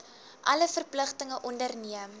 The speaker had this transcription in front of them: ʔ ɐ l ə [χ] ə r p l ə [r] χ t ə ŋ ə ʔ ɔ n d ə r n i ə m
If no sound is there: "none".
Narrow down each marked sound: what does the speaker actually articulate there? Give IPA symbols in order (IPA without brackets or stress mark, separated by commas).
f, none